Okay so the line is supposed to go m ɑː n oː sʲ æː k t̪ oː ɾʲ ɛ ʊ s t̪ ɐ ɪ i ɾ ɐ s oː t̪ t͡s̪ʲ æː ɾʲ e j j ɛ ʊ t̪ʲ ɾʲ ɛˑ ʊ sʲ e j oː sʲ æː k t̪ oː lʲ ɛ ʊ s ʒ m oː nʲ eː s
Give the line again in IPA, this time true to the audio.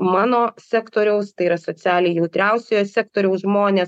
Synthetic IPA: m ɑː n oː sʲ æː k t̪ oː ɾʲ ɛ ʊ s t̪ ɐ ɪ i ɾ ɐ s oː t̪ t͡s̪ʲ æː lʲ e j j ɛ ʊ t̪ʲ ɾʲ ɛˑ ʊ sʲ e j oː sʲ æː k t̪ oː ɾʲ ɛ ʊ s ʒ m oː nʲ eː s